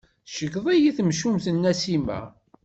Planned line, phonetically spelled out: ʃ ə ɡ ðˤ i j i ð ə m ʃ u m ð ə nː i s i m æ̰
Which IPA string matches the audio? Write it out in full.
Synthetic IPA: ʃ ə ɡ ðˤ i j i θ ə m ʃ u m θ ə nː æ s i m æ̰